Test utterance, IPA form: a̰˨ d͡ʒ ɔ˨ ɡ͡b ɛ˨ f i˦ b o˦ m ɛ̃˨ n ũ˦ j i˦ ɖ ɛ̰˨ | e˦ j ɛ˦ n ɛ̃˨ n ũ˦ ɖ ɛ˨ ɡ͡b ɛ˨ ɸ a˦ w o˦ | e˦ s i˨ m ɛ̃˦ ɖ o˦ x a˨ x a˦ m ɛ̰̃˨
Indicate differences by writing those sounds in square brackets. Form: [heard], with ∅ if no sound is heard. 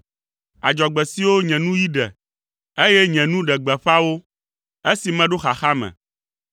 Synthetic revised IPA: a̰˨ d͡ʒ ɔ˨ ɡ͡b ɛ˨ [s] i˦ [w] o˦ [ɲ] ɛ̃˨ n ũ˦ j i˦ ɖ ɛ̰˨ | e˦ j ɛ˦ [ɲ] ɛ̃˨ n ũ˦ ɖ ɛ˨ ɡ͡b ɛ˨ ɸ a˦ w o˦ | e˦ s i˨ m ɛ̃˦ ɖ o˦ x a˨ x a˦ m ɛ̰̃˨